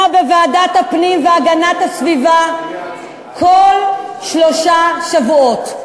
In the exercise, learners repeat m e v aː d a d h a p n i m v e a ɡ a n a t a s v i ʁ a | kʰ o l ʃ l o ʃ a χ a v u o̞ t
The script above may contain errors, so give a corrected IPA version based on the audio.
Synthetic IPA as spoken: b e v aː d a t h a p n i m v e a ɡ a n a t a s v i v a | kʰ o l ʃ l o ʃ a ʃ a v u o̞ t